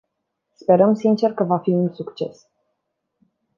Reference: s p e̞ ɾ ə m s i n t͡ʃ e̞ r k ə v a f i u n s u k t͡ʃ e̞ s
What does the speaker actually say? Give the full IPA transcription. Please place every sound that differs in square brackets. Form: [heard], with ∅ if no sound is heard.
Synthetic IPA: s p e̞ ɾ ə m s i n t͡ʃ e̞ r k ə v a f i u n s u k t͡ʃ e̞ s